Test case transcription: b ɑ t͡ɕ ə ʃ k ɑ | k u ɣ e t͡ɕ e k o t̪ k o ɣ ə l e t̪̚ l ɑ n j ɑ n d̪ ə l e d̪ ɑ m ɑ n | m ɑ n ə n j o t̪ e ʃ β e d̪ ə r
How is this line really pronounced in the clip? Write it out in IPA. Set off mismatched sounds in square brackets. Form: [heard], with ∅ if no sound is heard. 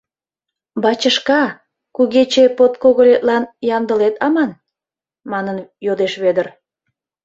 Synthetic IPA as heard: b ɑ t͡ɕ ə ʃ k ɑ | k u ɣ e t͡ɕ e [p] o t̪ k o ɣ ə l e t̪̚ l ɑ n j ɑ n d̪ ə l e [t̪] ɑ m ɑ n | m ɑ n ə n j o [d̪] e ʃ β e d̪ ə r